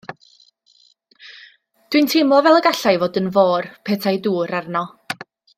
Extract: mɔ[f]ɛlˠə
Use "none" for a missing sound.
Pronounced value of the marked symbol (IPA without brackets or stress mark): v